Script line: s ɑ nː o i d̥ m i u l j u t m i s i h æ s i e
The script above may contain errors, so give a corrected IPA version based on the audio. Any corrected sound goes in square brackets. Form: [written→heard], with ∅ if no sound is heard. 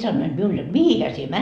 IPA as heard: s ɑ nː o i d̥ m i u l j [u→o] t m i [s→h] i h æ s i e